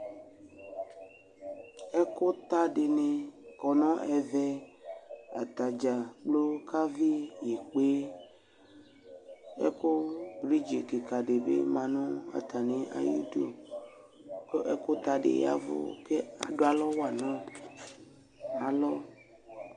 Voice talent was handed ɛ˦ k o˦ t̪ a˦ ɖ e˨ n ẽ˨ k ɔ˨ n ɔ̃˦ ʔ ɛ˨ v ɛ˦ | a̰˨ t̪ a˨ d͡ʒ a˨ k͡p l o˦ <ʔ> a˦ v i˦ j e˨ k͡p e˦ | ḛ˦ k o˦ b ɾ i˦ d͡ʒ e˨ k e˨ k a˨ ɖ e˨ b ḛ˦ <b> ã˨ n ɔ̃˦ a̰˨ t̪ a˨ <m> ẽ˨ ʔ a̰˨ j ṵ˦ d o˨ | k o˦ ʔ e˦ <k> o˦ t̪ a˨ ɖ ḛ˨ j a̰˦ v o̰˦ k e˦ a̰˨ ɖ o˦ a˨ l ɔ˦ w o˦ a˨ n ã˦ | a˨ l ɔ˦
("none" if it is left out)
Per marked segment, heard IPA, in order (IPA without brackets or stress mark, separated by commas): k, m, n, k